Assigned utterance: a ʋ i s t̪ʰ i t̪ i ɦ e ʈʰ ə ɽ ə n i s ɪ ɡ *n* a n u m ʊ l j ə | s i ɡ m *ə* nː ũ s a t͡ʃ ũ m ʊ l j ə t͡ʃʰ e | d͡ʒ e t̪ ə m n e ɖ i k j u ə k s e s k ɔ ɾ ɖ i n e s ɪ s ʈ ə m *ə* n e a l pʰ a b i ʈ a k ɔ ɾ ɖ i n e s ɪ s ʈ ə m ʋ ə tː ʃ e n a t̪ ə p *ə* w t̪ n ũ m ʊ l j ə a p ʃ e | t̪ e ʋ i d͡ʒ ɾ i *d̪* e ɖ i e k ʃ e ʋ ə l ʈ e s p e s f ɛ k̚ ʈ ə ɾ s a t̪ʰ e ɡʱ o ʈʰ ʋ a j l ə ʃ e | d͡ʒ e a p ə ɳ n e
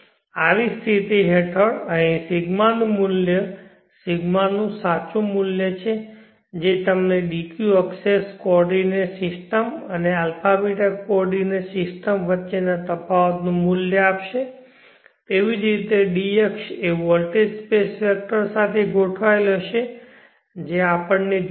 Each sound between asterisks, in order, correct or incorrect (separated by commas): incorrect, incorrect, correct, incorrect, incorrect